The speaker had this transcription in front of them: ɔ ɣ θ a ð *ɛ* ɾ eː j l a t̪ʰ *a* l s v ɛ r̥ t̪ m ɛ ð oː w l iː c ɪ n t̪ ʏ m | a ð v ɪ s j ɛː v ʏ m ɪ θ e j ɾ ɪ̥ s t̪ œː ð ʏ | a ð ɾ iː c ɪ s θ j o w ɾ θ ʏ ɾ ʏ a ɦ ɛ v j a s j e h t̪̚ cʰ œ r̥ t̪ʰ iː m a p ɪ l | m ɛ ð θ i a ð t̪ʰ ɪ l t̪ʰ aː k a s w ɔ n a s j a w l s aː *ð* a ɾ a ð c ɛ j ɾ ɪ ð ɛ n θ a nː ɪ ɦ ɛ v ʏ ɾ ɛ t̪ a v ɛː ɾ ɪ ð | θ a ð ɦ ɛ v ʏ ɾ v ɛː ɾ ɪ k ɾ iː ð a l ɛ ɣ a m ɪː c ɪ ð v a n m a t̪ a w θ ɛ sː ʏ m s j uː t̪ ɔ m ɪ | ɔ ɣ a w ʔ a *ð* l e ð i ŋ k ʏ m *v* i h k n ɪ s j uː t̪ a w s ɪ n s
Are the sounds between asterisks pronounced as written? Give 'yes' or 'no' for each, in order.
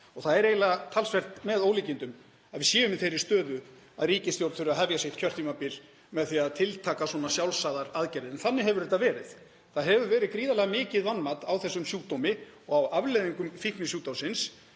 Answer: yes, yes, yes, no, no

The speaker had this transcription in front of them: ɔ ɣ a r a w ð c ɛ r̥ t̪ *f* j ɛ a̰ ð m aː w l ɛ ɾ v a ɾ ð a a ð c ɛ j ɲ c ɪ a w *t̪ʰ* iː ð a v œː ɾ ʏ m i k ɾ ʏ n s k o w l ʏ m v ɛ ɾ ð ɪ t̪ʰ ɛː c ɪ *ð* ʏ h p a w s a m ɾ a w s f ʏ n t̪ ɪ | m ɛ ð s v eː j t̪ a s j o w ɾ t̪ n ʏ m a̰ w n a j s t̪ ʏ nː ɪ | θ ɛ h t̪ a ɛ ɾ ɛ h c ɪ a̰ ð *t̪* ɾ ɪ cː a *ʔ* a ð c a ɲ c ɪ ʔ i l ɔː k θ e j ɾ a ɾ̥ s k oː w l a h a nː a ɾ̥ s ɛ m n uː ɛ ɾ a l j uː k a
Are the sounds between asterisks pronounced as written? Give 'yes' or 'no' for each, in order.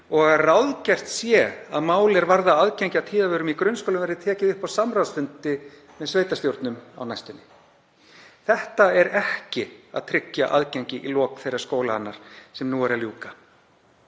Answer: no, yes, yes, no, yes

